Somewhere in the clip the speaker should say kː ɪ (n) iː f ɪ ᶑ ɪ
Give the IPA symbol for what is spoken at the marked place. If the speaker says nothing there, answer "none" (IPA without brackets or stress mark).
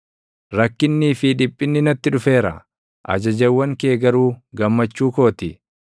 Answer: nː